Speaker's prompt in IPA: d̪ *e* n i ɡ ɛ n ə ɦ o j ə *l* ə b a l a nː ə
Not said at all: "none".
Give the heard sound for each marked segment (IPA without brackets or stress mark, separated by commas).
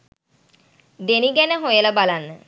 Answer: e, l